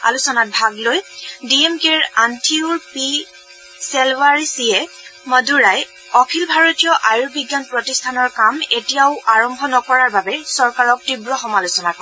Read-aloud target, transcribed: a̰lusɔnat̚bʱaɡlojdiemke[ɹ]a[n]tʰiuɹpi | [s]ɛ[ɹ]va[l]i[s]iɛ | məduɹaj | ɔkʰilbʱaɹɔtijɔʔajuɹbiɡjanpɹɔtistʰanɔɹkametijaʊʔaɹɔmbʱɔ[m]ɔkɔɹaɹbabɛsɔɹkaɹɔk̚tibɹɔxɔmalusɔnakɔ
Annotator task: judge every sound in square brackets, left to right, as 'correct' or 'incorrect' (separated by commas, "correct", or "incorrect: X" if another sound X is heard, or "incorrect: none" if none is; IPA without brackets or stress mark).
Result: correct, correct, correct, incorrect: l, incorrect: ɹ, correct, incorrect: n